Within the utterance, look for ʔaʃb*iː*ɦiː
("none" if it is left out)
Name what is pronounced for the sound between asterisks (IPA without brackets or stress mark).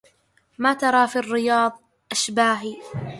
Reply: aː